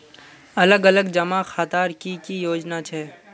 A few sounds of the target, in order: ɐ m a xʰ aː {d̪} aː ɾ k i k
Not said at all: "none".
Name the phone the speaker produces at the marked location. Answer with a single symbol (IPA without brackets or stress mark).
t̪